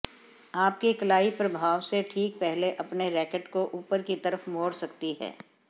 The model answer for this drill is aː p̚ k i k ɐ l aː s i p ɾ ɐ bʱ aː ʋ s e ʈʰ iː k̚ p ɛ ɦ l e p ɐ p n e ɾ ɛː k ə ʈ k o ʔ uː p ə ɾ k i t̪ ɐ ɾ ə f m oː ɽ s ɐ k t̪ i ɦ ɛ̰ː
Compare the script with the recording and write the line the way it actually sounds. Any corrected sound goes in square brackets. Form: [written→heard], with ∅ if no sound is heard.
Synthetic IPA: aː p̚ k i k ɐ l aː [s→∅] i p ɾ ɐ bʱ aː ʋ s e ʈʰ iː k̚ p ɛ ɦ l e [p→ʔ] ɐ p n e ɾ ɛː k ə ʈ k o ʔ uː p ə ɾ k i t̪ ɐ ɾ ə f m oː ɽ s ɐ k t̪ i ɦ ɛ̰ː